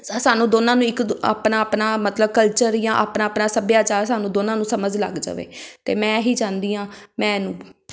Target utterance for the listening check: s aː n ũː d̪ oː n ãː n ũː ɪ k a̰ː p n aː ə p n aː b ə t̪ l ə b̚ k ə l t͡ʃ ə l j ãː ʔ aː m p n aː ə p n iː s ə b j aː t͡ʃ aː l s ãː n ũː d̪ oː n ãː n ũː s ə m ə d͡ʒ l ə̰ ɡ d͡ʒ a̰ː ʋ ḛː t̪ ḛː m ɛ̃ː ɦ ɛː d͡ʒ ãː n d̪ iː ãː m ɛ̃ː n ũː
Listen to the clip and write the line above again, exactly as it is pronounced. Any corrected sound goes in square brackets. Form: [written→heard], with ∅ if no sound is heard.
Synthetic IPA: s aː n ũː d̪ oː n ãː n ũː ɪ k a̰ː p n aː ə p n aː [b→m] ə t̪ l ə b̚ k ə l t͡ʃ ə [l→ɾ] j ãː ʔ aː [m→∅] p n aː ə p n [iː→aː] s ə b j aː t͡ʃ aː [l→ɾ] s [ãː→aː] n ũː d̪ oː n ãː n ũː s ə m ə d͡ʒ l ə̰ ɡ d͡ʒ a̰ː ʋ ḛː t̪ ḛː m ɛ̃ː ɦ [ɛː→iː] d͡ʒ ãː n d̪ iː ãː m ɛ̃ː n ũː